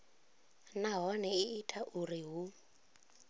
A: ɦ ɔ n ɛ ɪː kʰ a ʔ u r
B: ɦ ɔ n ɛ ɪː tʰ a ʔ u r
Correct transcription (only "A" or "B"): B